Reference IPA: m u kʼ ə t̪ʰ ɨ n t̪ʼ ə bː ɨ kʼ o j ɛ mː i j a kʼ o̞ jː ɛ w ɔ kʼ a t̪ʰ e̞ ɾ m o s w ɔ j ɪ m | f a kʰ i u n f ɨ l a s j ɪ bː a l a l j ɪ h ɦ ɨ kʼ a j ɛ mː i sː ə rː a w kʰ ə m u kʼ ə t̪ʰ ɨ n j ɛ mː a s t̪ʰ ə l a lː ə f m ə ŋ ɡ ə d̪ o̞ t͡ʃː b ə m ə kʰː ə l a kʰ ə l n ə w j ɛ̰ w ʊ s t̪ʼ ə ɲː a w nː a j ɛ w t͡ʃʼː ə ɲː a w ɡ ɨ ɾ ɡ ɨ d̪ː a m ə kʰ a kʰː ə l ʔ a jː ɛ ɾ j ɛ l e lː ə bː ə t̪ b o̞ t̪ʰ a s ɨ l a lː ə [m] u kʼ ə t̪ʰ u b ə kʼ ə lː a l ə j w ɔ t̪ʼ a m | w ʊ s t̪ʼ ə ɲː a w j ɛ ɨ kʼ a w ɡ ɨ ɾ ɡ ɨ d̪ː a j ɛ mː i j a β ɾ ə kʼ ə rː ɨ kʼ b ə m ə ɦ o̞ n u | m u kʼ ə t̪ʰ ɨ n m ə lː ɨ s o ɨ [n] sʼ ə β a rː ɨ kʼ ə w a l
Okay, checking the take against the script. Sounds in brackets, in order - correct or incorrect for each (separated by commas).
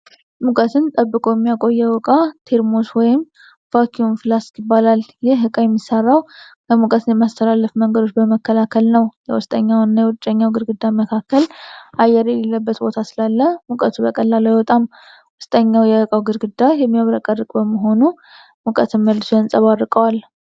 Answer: correct, correct